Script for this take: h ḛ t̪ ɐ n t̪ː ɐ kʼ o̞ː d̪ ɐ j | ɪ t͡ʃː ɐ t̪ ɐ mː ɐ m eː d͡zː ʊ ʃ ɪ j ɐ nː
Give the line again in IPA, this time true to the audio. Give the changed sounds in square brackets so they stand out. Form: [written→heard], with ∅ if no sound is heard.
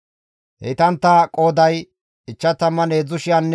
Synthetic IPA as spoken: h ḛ t̪ ɐ n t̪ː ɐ kʼ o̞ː d̪ ɐ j | ɪ t͡ʃː ɐ t̪ ɐ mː ɐ [m→n] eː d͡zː ʊ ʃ ɪ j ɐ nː